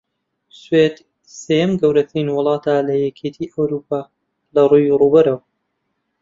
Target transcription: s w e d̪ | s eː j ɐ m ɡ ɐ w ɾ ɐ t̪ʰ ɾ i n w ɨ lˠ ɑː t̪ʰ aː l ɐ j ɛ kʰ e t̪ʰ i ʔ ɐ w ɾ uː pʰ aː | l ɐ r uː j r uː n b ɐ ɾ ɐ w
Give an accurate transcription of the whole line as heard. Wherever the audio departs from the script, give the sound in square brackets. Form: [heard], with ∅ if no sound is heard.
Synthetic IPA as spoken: s w e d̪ | s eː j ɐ m ɡ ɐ w ɾ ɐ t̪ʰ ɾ i n w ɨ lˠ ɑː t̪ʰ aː l ɐ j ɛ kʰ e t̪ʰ i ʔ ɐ w ɾ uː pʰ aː | l ɐ r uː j r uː [∅] b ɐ ɾ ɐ w